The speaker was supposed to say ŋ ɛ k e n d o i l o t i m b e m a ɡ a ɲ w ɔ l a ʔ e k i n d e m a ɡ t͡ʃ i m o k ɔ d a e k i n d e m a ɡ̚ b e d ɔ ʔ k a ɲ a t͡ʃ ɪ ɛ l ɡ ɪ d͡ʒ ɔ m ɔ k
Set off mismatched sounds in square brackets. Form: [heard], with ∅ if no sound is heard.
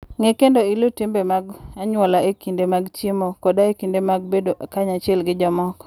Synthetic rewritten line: ŋ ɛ k e n d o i l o t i m b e m a ɡ a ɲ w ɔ l a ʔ e k i n d e m a ɡ t͡ʃ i m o k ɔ d a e k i n d e m a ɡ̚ b e d [o] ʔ k a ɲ a t͡ʃ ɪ ɛ l ɡ ɪ d͡ʒ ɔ m ɔ k